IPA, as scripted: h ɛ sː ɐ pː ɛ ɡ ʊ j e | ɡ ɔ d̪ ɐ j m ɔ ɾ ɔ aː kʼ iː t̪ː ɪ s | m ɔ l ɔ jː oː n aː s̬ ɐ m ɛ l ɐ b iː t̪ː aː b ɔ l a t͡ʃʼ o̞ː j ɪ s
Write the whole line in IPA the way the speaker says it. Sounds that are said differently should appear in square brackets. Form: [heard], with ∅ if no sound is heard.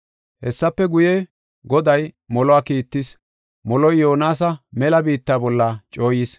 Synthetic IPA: h ɛ sː ɐ pː ɛ ɡ ʊ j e | ɡ ɔ d̪ ɐ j m ɔ [l] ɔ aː [k] iː t̪ː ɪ s | m ɔ l ɔ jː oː n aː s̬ ɐ m ɛ l ɐ b iː t̪ː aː b ɔ [lː] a t͡ʃʼ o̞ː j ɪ s